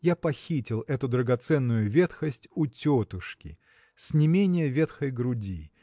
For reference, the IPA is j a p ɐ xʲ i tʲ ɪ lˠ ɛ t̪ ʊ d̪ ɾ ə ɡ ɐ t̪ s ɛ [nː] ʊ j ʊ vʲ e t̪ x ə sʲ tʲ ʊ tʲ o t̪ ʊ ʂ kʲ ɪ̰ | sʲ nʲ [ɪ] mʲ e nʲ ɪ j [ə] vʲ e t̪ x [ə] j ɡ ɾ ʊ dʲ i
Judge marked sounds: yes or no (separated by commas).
yes, yes, yes, yes